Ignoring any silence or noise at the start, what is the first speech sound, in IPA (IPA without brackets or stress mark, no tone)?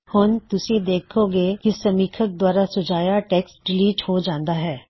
h